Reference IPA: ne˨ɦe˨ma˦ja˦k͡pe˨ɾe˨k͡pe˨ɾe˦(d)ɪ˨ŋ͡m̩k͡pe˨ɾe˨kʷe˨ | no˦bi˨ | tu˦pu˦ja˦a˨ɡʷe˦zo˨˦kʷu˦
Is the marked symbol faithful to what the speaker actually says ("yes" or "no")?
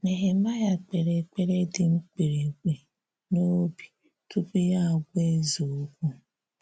yes